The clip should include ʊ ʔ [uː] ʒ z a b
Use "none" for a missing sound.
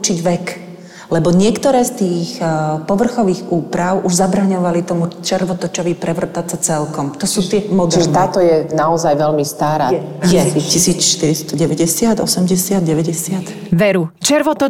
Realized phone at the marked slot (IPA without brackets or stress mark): u